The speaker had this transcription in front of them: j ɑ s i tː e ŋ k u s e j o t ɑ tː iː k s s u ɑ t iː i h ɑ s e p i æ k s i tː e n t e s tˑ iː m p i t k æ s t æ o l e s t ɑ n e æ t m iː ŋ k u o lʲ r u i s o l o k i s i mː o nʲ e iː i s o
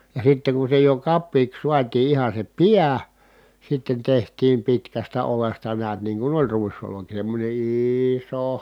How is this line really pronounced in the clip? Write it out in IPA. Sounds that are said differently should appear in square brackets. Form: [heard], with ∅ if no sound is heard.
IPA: j ɑ s i tː e ŋ k u s e j o [k] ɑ [pː] iː k s s u ɑ t iː i h ɑ s e p i æ [∅] s i tː e n t e [h] tˑ iː m p i t k æ s t æ o l e s t ɑ n e æ t [n] iː ŋ k u o lʲ r u i s o l o k i s [e] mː o nʲ e iː i s o